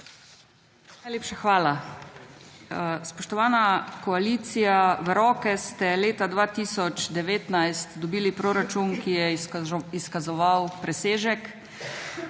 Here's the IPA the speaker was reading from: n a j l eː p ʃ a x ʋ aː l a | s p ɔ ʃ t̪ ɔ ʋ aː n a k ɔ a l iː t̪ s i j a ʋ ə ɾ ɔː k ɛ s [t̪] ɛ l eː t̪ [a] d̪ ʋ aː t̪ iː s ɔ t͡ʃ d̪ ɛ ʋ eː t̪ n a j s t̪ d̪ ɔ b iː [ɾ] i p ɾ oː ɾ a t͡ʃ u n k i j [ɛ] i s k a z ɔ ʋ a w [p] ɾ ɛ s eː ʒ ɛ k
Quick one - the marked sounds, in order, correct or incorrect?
correct, correct, incorrect, correct, correct

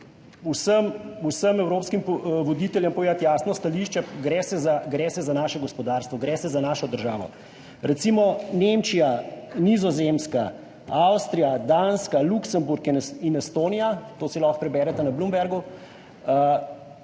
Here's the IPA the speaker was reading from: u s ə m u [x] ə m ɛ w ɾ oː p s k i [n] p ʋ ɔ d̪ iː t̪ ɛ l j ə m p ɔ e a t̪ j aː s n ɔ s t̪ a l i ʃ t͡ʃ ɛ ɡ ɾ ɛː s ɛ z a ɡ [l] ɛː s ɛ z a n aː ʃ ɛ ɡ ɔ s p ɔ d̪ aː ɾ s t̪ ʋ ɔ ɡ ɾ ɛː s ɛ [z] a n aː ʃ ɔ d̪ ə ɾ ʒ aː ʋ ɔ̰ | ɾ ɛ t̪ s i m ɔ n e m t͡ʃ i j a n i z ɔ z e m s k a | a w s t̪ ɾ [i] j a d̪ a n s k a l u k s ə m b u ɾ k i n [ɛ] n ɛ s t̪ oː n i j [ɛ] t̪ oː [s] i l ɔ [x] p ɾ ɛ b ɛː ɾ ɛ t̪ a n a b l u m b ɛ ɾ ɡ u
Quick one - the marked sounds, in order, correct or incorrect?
incorrect, incorrect, incorrect, correct, correct, incorrect, incorrect, correct, correct

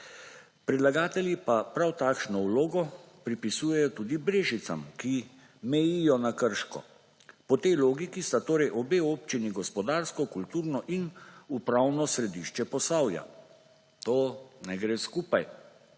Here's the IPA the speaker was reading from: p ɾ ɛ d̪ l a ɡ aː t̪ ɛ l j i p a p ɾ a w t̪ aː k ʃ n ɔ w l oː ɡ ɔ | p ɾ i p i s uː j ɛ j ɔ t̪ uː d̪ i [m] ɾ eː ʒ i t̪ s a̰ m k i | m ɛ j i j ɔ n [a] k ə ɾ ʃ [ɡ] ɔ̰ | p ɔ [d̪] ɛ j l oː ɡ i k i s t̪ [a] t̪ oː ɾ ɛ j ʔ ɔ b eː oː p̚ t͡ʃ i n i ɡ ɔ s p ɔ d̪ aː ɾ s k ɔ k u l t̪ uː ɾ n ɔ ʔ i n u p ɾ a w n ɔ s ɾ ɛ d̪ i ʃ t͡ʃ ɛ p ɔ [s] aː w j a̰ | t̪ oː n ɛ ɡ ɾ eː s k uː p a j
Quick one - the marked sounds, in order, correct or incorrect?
incorrect, correct, incorrect, incorrect, correct, correct

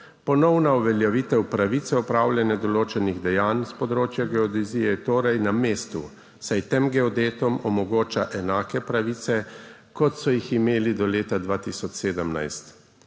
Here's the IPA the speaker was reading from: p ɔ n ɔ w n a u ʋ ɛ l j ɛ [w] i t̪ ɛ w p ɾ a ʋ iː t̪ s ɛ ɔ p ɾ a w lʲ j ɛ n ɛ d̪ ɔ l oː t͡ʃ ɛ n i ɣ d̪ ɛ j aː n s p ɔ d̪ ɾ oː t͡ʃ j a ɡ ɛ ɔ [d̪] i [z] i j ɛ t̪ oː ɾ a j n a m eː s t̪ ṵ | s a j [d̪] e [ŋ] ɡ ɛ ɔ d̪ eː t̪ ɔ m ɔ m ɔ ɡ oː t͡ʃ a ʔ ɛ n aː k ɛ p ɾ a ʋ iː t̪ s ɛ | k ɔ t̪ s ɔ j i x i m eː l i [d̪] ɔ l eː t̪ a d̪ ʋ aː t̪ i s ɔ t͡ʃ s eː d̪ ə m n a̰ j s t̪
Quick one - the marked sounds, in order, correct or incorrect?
incorrect, correct, correct, incorrect, incorrect, correct

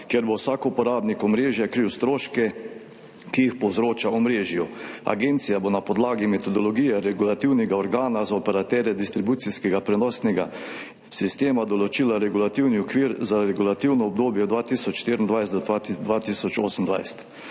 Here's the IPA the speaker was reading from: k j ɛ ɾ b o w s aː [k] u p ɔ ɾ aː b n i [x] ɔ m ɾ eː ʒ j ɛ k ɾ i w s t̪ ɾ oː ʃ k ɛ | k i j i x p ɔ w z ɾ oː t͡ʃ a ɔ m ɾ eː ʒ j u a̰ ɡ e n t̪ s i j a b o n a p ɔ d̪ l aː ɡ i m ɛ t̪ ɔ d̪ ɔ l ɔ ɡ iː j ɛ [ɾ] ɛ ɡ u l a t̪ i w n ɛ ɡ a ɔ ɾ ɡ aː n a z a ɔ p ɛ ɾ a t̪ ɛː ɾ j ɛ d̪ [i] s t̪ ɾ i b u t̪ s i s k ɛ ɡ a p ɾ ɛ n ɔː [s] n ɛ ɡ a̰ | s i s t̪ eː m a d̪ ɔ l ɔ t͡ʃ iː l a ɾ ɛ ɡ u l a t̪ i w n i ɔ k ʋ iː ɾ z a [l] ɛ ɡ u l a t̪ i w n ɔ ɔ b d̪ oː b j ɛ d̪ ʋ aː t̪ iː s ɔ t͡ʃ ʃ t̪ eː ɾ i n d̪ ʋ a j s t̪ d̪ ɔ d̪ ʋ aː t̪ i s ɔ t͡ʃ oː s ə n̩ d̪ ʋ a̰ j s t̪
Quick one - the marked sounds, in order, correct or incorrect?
correct, incorrect, correct, correct, correct, incorrect

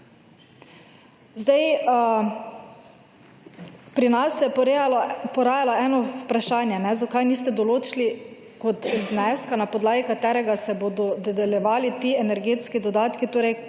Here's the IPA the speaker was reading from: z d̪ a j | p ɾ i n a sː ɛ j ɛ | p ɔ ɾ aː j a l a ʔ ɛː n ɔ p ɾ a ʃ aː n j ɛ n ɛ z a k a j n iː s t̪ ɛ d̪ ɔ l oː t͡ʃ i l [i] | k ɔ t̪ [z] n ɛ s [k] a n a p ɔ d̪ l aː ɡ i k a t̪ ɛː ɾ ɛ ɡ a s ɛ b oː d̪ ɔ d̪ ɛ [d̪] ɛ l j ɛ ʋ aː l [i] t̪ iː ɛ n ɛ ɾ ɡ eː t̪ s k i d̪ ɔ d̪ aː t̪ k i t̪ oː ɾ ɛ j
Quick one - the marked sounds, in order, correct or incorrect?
correct, correct, correct, correct, correct

